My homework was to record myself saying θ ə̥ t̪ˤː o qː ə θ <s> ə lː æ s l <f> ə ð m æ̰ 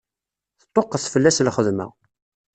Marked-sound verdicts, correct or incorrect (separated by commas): incorrect, incorrect